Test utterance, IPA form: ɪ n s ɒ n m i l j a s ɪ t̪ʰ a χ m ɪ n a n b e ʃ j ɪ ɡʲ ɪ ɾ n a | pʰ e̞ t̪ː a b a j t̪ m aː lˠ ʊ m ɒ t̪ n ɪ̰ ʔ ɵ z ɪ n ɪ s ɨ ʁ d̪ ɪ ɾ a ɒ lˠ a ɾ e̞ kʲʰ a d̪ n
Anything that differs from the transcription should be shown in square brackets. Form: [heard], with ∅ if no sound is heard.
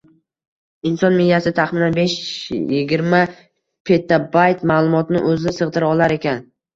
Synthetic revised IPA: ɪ n s ɒ n m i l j a s ɪ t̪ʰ a χ m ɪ n a n b e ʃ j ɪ ɡʲ ɪ ɾ [m] a | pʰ e̞ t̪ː a b a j t̪ m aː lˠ ʊ m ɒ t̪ n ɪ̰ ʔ ɵ z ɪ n ɪ s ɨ ʁ d̪ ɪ ɾ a ɒ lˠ a ɾ e̞ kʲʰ a [∅] n